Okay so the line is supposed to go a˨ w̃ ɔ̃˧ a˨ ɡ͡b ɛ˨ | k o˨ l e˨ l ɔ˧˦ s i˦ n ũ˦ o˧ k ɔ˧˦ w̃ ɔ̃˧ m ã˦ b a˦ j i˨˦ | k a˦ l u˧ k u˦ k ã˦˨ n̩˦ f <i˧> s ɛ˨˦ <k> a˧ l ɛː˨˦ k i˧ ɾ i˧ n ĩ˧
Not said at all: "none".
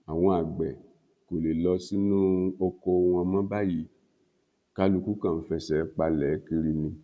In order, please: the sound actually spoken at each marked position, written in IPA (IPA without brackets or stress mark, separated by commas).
ɛ˧, k͡p